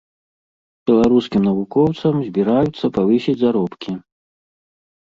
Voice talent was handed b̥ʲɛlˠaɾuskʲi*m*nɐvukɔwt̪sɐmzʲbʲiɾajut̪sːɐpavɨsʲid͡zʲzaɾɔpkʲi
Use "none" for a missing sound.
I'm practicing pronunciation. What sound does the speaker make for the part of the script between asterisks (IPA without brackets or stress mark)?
m